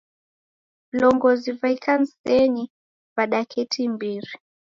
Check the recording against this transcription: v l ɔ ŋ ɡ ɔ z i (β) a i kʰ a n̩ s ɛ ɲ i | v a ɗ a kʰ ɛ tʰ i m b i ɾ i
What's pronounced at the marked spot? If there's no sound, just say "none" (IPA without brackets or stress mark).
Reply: v